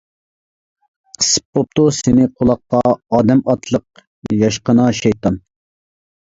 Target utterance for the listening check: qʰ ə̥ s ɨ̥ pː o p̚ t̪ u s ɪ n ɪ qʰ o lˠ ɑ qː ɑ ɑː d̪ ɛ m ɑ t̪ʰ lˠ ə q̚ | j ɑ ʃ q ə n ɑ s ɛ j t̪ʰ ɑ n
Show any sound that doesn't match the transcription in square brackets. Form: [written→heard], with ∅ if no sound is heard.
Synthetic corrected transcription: qʰ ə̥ s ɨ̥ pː o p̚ t̪ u s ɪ n ɪ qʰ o lˠ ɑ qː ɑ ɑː d̪ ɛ m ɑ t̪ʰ lˠ ə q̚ | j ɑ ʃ q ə n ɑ [s→ʃ] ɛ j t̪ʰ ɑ n